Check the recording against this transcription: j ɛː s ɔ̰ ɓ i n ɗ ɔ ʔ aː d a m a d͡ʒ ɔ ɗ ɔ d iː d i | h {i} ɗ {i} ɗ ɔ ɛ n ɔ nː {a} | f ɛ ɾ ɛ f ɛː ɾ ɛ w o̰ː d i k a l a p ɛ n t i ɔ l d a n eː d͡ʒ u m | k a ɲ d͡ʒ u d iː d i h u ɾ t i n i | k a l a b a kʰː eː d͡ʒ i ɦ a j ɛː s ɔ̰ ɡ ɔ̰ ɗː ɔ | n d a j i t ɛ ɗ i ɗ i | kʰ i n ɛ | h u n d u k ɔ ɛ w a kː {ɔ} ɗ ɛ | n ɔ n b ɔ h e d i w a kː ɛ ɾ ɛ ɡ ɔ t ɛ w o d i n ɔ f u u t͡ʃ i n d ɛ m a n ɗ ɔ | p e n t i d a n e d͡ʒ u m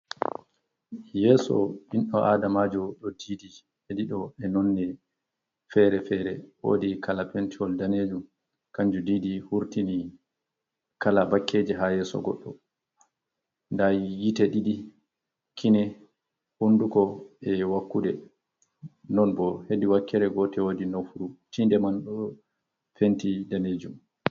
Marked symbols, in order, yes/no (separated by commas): no, yes, no, no